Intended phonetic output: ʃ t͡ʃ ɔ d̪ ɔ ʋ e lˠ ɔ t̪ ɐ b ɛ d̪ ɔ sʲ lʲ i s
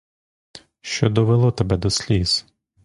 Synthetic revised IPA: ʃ t͡ʃ ɔ d̪ ɔ ʋ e lˠ ɔ t̪ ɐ b ɛ d̪ ɔ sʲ lʲ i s